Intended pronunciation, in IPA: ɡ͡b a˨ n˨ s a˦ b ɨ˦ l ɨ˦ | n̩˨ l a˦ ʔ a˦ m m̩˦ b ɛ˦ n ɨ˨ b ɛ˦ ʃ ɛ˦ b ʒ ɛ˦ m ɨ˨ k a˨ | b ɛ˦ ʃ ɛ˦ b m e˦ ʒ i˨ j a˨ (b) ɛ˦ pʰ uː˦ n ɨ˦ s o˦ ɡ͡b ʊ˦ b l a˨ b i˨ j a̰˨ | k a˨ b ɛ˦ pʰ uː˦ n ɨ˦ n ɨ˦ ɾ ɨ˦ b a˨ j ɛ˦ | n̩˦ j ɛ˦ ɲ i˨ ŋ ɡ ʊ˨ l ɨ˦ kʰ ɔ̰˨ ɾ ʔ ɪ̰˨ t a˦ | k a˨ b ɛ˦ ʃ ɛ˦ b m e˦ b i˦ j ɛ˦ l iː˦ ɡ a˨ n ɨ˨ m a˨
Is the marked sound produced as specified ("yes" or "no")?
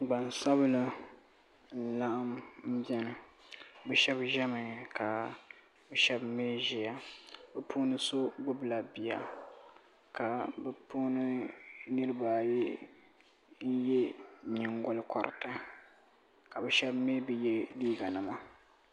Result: yes